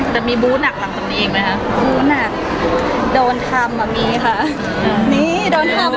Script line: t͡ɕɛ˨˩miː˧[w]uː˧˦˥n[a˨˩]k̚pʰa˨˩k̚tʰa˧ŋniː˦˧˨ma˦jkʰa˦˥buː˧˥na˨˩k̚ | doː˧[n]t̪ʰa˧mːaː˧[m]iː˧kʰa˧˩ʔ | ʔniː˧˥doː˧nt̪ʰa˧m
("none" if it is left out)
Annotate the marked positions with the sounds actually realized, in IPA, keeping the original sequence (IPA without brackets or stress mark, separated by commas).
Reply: b, a˨˩, n, m